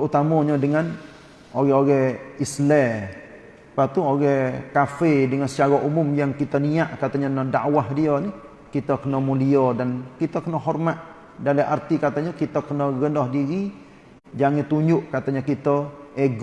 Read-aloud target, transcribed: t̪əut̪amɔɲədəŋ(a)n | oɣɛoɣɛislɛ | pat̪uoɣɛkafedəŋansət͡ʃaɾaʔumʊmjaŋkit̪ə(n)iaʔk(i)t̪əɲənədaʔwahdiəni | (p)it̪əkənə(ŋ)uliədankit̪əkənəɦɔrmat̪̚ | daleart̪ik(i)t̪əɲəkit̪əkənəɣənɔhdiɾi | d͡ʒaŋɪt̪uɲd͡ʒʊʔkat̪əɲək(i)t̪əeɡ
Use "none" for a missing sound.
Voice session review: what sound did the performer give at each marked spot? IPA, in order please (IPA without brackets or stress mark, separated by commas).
a, n, a, k, m, a, i